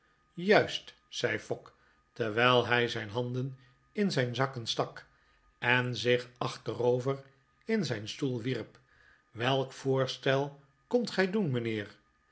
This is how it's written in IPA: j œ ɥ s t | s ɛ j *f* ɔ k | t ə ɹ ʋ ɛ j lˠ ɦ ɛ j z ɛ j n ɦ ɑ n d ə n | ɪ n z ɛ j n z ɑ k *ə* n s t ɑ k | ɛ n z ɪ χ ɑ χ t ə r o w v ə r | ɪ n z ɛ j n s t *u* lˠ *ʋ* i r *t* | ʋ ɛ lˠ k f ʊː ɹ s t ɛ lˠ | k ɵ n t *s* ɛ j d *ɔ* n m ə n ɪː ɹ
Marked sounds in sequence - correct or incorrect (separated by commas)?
correct, correct, correct, correct, incorrect, incorrect, incorrect